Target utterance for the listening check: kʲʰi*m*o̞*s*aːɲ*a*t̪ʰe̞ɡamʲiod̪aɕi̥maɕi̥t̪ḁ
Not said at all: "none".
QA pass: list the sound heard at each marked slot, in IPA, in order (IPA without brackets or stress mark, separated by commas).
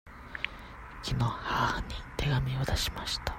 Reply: n, h, i